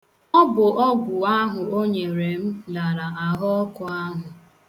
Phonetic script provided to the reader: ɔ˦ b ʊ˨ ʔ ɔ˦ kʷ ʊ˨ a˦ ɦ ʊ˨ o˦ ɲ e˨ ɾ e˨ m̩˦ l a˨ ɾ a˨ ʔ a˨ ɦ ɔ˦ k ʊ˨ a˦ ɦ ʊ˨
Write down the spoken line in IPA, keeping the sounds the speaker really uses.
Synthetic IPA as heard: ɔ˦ b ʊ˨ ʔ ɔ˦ ɡʷ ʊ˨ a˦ ɦ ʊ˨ o˦ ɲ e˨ ɾ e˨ m̩˦ l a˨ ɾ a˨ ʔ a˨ ɦ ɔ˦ k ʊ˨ a˦ ɦ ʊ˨